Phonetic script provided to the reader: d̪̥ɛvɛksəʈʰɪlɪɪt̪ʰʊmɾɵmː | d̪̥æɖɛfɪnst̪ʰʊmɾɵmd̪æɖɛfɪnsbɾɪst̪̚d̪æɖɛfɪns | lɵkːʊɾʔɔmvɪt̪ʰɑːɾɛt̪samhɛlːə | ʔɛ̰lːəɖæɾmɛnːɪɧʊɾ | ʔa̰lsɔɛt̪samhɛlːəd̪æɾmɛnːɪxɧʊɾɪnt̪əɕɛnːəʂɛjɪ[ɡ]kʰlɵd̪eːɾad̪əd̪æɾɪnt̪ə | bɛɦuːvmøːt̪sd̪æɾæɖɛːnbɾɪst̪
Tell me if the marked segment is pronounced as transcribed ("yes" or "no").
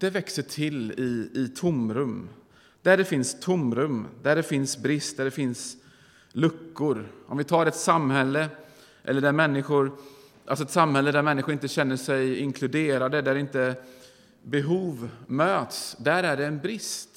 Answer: no